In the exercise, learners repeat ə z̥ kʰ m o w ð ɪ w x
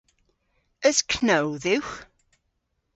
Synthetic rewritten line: ə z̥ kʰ n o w ð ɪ w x